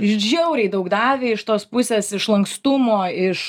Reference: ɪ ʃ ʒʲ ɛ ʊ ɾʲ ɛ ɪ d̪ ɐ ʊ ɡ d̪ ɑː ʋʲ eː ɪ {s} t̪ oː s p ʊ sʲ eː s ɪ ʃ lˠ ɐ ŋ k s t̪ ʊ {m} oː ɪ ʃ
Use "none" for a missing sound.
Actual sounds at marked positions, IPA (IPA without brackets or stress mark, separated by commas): ʃ, m